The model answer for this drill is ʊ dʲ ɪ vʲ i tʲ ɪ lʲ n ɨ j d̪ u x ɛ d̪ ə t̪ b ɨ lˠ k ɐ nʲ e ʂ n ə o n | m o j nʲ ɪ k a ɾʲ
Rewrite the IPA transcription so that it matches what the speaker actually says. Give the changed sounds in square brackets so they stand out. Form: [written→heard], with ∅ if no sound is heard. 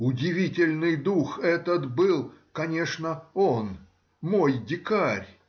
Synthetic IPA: ʊ dʲ ɪ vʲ i tʲ ɪ lʲ n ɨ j d̪ u x ɛ [d̪→t̪] ə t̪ b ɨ lˠ k ɐ nʲ e ʂ n ə o n | m o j [nʲ→dʲ] ɪ k a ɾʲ